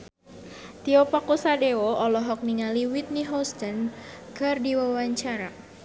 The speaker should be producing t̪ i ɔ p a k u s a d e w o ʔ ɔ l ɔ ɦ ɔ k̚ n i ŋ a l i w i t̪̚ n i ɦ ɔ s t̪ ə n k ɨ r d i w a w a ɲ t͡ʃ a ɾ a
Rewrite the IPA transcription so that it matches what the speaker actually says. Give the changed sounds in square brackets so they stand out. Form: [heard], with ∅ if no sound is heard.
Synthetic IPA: t̪ i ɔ p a k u s a d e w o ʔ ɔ l ɔ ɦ ɔ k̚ n i ŋ a l i w i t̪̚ n i ɦ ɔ s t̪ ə n k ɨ r d i w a w a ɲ t͡ʃ a ɾ a